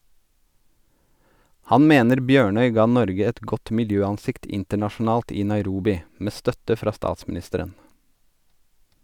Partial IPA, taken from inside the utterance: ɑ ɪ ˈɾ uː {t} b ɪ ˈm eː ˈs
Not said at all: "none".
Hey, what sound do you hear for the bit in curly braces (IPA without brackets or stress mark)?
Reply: none